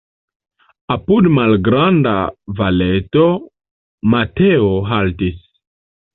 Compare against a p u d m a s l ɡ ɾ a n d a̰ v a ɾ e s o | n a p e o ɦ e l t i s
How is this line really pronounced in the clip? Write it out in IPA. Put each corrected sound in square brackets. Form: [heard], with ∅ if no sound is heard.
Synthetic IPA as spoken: a p u d m a [∅] l ɡ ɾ a n d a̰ v a [l] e [t] o | [m] a [t] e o ɦ [a] l t i s